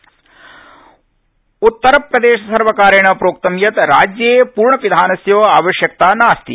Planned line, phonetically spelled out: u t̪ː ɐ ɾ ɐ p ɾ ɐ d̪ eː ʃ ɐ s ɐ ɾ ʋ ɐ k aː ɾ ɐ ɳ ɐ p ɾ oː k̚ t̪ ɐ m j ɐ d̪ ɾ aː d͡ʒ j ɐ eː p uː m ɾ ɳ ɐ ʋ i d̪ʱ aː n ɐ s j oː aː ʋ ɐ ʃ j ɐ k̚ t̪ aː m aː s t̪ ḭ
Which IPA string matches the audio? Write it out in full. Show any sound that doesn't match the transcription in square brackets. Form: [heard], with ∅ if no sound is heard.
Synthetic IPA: u t̪ː ɐ ɾ ɐ p ɾ ɐ d̪ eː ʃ ɐ s ɐ ɾ ʋ ɐ k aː ɾ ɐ ɳ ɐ p ɾ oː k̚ t̪ ɐ m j ɐ [t̪] ɾ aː d͡ʒ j ɐ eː p uː [∅] ɾ ɳ ɐ ʋ i d̪ʱ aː n ɐ s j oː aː ʋ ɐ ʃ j ɐ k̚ t̪ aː [n] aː s t̪ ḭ